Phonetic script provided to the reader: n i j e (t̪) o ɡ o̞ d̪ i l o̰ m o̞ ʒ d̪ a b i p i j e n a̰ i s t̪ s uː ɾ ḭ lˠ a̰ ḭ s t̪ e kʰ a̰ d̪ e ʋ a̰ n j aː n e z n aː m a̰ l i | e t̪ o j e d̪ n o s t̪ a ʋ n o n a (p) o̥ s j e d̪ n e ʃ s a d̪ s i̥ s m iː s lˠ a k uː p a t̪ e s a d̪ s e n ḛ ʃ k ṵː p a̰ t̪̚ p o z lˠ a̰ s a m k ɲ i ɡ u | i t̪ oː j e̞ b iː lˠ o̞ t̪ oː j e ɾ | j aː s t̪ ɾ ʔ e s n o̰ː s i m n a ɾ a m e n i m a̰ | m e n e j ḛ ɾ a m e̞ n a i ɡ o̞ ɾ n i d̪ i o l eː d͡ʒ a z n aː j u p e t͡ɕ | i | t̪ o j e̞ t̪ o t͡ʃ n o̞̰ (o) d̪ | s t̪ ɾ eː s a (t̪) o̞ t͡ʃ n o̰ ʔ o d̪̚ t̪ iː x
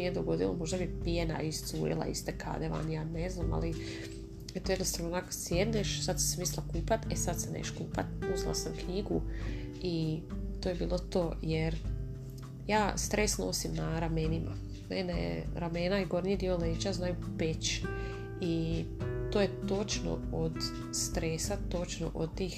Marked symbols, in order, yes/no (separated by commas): no, no, yes, yes